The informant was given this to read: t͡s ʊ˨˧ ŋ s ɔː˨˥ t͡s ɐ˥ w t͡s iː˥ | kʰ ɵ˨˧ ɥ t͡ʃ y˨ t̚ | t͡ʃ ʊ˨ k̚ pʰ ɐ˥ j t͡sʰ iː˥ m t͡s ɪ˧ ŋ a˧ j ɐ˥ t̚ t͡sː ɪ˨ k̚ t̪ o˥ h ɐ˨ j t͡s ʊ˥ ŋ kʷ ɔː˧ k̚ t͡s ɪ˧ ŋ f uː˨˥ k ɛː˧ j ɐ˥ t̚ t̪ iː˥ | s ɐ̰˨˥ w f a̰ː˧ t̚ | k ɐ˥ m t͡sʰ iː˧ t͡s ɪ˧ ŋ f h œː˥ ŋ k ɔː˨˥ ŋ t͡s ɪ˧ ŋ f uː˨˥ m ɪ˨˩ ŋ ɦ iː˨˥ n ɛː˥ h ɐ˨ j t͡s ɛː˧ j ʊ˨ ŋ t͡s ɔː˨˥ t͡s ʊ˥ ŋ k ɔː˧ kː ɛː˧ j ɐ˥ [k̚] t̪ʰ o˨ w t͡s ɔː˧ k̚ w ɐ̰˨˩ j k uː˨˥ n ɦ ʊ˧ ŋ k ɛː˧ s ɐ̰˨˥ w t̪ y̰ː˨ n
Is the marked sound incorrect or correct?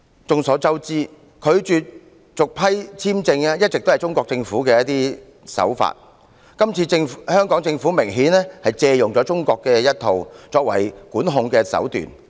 incorrect